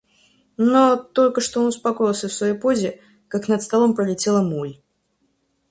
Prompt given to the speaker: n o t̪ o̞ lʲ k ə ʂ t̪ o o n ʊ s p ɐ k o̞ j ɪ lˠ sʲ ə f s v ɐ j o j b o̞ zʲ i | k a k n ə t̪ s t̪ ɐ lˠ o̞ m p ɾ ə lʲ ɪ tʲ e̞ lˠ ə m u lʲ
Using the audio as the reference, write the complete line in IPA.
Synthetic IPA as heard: n o t̪ o̞ lʲ k ə ʂ t̪ o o n ʊ s p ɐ k o̞ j ɪ lˠ sʲ ə f s v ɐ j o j p o̞ zʲ ɪ | k a k n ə t̪ s t̪ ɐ lˠ o̞ m p ɾ ə lʲ ɪ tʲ e̞ lˠ ə m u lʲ